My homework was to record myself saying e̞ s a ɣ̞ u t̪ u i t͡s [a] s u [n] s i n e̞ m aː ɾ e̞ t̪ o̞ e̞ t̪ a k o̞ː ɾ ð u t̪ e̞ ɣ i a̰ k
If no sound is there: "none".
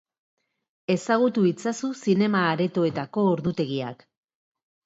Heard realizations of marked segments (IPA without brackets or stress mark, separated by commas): a, none